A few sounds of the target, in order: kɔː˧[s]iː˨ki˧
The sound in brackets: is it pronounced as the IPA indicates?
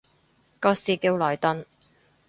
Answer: yes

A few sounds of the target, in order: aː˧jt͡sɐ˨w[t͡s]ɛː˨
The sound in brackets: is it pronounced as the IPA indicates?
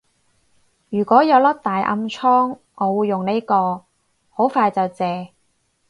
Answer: yes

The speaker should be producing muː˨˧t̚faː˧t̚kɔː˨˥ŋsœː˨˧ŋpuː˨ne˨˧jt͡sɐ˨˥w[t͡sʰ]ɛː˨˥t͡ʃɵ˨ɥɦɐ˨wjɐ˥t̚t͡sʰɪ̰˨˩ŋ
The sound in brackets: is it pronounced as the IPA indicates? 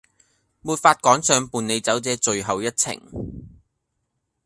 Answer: no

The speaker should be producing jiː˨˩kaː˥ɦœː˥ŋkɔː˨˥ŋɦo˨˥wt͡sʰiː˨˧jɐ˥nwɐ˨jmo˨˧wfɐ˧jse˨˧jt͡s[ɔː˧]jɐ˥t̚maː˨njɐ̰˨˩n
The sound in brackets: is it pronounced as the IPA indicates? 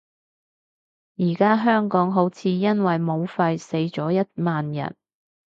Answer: no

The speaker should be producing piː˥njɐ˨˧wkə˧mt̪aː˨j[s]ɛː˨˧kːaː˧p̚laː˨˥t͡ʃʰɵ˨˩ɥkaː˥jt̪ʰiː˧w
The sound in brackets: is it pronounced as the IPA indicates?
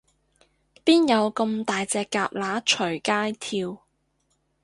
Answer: no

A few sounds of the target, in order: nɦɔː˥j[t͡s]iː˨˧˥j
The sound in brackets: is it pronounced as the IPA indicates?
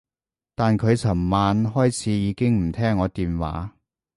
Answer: no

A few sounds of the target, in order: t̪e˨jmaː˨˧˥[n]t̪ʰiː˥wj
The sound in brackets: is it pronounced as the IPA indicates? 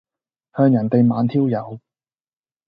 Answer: yes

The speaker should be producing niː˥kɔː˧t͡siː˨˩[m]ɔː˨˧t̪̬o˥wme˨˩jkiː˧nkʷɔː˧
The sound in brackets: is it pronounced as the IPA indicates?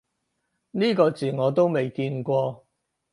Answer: no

